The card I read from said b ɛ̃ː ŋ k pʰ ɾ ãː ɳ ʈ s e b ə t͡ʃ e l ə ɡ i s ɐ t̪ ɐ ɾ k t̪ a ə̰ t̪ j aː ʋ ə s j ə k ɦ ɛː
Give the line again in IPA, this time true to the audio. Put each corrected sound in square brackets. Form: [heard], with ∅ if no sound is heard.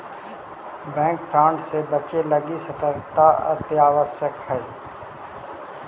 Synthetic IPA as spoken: b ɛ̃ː ŋ k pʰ ɾ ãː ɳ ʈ s e b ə t͡ʃ e l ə ɡ i s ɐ t̪ [ə] ɾ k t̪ a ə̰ t̪ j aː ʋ ə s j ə k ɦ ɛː